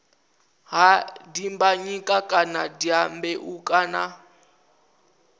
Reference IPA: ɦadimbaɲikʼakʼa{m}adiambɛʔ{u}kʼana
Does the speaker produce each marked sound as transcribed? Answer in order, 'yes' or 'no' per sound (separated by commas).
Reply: no, yes